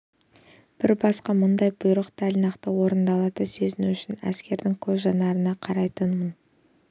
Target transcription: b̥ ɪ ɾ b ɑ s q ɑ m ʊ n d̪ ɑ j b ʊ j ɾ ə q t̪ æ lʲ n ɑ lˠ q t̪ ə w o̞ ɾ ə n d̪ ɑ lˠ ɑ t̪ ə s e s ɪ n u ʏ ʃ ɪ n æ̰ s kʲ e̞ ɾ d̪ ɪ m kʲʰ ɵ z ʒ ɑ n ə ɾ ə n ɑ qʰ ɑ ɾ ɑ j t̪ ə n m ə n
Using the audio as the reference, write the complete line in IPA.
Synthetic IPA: b̥ ɪ ɾ b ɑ s q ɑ m ʊ n d̪ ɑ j b ʊ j ɾ ə q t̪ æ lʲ n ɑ q t̪ ə w o̞ ɾ ə n d̪ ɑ lˠ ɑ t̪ ə s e z ɪ n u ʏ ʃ ɪ n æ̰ s kʲ e̞ ɾ d̪ ɪ ŋ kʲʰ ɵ z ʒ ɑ n ɑ ɾ ə n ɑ qʰ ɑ ɾ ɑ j t̪ ə n m ə n